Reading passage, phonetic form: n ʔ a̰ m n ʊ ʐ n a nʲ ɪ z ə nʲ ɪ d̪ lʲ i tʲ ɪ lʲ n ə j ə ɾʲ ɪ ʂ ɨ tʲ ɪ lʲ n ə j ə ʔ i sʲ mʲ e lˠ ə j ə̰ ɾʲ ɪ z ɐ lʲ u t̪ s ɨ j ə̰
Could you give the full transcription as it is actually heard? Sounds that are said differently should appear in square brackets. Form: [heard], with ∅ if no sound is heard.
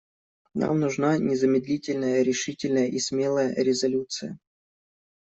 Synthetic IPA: n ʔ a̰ m n ʊ ʐ n a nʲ ɪ z ə [mʲ] ɪ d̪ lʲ i tʲ ɪ lʲ n ə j ə ɾʲ ɪ ʂ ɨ tʲ ɪ lʲ n ə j ə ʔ i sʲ mʲ e lˠ ə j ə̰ ɾʲ ɪ z ɐ lʲ u t̪ s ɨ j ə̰